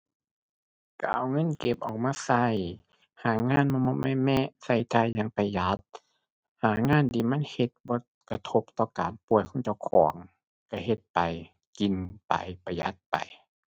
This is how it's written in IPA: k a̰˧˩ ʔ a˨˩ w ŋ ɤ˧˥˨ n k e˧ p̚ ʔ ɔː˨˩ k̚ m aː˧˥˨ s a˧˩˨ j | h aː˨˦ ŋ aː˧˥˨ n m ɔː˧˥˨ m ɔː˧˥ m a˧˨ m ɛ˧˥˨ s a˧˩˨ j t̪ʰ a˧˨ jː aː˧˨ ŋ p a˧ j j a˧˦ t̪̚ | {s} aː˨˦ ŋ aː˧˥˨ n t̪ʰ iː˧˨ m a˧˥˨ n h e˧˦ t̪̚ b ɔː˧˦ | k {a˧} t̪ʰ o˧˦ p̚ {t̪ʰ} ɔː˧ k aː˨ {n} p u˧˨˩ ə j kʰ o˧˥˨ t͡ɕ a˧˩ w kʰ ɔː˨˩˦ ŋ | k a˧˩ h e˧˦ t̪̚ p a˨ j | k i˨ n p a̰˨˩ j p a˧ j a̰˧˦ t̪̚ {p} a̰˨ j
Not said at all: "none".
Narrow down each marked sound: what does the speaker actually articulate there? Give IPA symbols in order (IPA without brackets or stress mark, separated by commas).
h, a˧, t̪, n, p